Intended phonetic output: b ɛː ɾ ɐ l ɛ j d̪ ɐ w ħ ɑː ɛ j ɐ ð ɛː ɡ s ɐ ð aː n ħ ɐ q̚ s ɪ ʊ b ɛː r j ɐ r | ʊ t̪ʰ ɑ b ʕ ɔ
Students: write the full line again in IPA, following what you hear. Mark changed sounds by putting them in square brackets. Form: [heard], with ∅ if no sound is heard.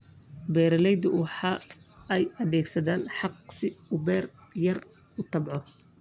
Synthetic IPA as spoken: b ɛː ɾ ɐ l ɛ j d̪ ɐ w ħ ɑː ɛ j ɐ ð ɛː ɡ s ɐ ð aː n ħ [ɑ] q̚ s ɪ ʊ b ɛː r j ɐ r | ʊ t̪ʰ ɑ b ʕ ɔ